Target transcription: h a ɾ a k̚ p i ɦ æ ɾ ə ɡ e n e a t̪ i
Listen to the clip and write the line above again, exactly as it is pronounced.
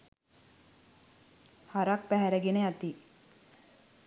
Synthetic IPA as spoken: h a ɾ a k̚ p æ ɦ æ ɾ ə ɡ e n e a t̪ i